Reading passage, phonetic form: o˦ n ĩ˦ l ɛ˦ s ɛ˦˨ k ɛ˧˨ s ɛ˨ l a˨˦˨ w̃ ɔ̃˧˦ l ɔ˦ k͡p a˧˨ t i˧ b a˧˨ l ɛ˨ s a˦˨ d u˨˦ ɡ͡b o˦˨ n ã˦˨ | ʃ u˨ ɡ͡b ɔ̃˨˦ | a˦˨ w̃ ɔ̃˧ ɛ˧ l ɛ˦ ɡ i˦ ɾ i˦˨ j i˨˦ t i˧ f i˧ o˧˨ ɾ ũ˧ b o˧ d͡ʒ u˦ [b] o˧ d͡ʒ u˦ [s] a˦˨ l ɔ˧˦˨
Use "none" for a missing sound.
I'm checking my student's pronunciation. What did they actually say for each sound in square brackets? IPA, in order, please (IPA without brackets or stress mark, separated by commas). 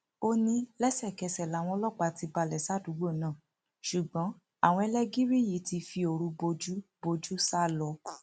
b, s